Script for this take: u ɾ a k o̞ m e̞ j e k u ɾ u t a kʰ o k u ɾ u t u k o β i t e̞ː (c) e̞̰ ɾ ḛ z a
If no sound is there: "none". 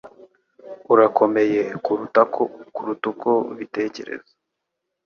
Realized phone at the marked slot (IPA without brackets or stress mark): c